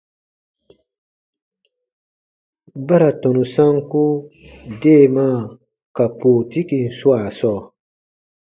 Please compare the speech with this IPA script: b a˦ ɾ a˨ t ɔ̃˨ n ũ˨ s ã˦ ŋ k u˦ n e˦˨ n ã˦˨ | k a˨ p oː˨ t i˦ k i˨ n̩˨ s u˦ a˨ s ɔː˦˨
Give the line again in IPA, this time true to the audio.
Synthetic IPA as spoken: b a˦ ɾ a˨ t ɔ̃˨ n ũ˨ s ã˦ ŋ k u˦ d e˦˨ m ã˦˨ | k a˨ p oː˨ t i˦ k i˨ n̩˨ s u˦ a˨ s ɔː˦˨